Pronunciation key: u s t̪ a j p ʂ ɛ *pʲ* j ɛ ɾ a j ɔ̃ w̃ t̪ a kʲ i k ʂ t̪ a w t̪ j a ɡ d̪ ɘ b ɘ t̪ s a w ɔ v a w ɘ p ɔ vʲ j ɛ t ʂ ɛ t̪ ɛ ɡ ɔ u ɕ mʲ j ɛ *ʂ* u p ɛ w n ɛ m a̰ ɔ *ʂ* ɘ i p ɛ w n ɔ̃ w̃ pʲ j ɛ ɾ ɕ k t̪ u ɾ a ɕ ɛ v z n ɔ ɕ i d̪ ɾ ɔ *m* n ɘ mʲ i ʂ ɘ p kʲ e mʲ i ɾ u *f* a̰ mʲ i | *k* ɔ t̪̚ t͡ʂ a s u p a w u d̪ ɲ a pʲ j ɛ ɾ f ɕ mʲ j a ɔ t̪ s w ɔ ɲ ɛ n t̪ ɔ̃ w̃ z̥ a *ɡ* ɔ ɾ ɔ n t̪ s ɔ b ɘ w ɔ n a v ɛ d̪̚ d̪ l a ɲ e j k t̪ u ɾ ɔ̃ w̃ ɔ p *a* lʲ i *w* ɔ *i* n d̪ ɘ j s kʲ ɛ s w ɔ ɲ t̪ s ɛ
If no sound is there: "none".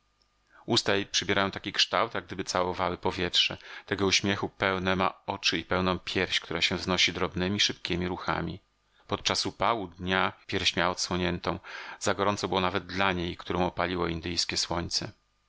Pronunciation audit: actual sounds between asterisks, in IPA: bʲ, x, t͡ʂ, b, x, p, ɡ, a, w, i

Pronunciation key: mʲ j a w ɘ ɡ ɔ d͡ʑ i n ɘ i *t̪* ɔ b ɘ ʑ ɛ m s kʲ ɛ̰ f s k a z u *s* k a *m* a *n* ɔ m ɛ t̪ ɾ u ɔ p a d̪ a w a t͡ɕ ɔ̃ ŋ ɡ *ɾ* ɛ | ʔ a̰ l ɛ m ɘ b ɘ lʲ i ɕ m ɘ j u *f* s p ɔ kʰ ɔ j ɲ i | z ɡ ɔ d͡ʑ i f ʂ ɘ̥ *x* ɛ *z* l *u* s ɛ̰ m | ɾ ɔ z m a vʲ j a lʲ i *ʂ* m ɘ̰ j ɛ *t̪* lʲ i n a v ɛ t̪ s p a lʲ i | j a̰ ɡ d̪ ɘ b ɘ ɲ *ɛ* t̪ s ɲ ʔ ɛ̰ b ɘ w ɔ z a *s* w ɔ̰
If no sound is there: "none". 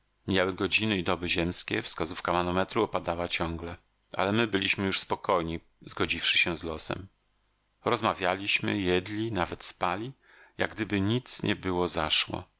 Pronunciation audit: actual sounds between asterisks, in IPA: d̪, f, m, n, l, ʂ, ɕ, z, ɔ, ɕ, d̪, i, ʂ

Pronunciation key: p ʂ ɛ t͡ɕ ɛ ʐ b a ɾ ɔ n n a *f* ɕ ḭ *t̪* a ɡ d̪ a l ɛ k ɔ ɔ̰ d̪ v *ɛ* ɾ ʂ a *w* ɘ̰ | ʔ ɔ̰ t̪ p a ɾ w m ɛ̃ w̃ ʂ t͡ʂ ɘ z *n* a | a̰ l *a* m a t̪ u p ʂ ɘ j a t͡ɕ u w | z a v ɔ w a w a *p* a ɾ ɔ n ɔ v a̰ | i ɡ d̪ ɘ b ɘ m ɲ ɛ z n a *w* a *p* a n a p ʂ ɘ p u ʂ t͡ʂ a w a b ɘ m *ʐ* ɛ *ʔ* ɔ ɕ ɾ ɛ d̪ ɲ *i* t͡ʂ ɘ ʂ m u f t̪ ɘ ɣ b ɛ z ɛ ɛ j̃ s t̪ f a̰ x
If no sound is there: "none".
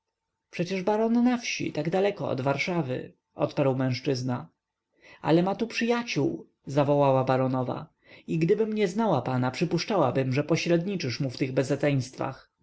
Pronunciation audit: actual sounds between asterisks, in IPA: f, t̪, a, v, n, ɛ, b, w, p, ʐ, p, i

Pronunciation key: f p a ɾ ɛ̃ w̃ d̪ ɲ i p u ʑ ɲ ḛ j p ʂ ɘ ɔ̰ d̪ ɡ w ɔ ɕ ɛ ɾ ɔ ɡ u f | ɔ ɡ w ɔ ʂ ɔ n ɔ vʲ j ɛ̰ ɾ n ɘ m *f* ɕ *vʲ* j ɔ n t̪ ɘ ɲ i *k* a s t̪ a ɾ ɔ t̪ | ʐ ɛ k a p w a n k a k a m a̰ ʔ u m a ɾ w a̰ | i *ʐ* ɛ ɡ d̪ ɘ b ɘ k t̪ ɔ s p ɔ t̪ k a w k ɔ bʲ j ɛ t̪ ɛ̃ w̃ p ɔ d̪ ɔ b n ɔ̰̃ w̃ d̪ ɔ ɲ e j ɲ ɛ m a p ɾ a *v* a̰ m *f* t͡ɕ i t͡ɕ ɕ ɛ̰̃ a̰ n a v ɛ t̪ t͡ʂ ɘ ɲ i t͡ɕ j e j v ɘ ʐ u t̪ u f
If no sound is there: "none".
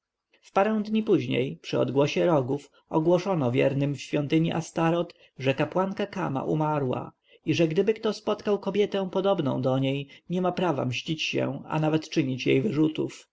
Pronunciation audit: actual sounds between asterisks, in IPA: f, fʲ, ʔ, ʐ, v, ɕ

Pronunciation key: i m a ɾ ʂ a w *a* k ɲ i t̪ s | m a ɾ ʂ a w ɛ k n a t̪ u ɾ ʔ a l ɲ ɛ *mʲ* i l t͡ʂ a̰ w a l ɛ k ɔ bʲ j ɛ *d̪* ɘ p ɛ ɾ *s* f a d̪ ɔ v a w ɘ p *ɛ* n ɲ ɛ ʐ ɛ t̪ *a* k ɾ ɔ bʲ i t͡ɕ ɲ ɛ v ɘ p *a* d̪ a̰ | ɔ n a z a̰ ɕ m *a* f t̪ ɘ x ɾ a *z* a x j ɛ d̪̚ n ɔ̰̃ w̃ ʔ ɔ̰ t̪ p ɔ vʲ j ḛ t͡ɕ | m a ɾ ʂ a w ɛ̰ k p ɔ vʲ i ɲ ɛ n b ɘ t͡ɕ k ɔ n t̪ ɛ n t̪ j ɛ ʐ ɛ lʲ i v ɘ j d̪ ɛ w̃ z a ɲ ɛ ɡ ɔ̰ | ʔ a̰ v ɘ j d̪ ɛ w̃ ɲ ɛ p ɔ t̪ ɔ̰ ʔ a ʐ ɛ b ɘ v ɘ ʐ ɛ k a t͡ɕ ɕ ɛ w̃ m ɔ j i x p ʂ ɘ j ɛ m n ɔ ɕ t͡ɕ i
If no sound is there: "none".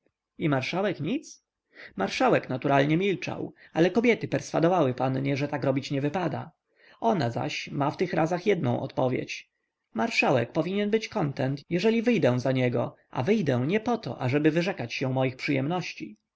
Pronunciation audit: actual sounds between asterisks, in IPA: ɛ, mʲ, t̪, s, a, a, a, a, z

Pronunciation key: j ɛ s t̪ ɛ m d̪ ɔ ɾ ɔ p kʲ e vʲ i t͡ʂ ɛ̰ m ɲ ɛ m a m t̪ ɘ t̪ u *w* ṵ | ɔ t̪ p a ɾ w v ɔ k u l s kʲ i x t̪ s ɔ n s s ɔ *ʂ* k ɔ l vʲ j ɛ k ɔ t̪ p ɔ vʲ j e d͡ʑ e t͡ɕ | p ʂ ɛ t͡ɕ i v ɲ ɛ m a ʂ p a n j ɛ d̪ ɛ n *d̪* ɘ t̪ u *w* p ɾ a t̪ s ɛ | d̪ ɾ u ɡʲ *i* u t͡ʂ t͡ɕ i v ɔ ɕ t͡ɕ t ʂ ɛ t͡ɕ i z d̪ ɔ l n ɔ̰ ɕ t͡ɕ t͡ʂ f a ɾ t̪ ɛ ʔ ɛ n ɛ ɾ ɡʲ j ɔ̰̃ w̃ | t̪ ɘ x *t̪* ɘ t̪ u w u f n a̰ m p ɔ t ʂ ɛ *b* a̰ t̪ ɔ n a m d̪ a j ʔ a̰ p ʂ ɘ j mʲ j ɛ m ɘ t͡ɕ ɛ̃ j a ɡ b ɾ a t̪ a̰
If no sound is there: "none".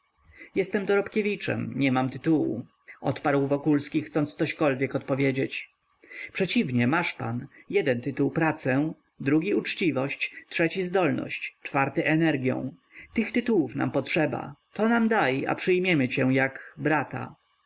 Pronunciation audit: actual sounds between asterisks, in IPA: w, ɕ, t̪, w, i, t̪, b

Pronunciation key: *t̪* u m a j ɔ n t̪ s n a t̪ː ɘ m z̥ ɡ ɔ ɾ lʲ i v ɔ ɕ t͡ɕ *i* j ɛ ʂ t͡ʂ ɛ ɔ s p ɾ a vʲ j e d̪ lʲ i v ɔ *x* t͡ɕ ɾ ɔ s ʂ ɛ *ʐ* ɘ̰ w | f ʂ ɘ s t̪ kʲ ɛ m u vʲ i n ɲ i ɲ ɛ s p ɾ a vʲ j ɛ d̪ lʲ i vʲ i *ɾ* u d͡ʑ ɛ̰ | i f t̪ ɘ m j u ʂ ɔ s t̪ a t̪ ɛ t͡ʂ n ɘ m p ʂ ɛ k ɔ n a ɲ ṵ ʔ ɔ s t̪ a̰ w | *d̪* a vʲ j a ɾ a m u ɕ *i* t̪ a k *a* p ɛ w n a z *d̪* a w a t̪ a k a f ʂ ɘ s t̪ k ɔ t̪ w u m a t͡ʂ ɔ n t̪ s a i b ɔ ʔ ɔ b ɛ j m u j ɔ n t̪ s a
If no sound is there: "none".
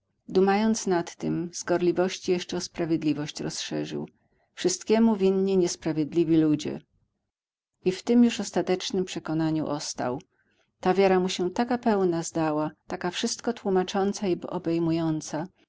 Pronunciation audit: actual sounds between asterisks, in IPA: d̪, i, ɕ, ʐ, l, t̪, ɛ, a, d̪

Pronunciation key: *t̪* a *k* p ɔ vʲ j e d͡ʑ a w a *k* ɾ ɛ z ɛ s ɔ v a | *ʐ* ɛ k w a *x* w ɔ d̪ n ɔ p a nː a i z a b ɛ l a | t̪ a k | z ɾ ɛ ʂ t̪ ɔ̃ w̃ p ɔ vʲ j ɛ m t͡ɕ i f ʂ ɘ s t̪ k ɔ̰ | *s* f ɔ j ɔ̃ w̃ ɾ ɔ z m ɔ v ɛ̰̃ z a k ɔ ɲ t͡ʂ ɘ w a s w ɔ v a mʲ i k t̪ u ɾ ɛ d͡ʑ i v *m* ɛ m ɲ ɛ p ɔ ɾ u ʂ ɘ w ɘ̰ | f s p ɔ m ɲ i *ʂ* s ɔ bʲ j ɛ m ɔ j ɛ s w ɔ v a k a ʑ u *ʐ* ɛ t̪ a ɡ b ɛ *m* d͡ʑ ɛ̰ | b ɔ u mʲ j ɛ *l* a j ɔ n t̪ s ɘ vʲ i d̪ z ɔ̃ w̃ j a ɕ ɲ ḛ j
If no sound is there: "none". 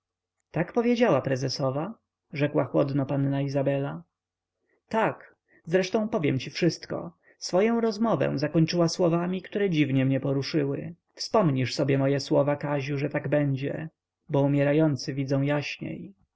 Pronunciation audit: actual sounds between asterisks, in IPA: t̪, k, p, ʐ, x, s, ɲ, ʂ, ʐ, ɲ, ɾ

